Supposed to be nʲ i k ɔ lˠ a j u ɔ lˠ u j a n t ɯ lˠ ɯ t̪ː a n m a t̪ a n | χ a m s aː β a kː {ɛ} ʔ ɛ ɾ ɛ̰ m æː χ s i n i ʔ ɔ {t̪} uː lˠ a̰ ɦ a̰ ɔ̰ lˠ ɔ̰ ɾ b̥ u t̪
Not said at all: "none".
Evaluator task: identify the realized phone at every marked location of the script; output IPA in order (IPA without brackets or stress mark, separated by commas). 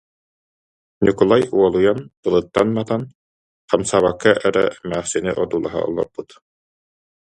a, d̪